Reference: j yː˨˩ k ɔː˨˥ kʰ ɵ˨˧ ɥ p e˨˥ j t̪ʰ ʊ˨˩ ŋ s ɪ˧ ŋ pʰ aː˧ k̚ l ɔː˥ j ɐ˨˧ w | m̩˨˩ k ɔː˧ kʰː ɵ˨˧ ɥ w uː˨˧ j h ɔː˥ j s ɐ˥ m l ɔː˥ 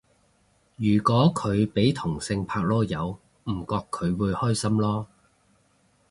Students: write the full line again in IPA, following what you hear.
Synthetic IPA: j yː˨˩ k ɔː˨˥ kʰ ɵ˨˧ ɥ p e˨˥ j t̪ʰ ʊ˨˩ ŋ s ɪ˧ ŋ pʰ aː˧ k̚ l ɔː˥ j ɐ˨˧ w | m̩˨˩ k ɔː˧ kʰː ɵ˨˧ ɥ w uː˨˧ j h ɔː˥ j s ɐ˥ m l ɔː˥